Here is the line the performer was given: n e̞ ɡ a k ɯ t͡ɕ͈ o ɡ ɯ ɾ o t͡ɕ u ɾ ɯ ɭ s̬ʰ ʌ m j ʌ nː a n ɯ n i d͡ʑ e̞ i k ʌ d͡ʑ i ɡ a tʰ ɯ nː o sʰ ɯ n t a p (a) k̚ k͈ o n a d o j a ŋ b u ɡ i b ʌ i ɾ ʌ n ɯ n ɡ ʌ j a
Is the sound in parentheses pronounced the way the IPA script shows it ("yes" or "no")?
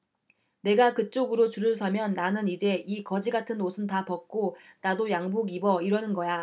no